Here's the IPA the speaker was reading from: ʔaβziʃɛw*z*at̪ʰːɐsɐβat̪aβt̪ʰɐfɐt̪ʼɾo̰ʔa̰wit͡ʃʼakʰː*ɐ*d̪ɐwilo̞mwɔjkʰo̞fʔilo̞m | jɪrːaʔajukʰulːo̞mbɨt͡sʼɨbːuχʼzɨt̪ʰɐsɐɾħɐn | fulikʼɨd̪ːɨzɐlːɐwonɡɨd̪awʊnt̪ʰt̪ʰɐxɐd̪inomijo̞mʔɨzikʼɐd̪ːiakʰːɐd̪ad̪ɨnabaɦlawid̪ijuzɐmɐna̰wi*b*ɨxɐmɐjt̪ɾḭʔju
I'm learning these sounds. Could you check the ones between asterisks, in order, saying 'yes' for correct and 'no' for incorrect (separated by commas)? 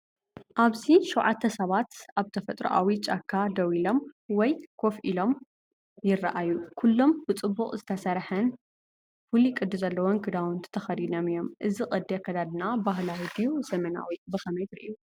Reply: no, no, yes